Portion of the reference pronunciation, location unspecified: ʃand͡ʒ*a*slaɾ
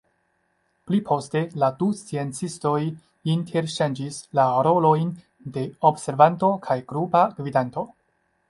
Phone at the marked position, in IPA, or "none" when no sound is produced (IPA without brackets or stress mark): i